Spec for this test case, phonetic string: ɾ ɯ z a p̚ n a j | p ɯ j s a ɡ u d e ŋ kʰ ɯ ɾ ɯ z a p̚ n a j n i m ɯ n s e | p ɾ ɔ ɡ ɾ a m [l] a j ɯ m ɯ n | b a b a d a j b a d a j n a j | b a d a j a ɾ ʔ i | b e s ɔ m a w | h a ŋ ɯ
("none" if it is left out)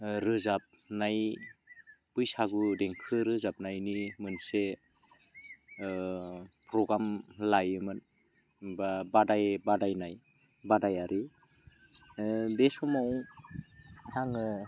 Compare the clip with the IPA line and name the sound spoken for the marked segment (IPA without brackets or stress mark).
l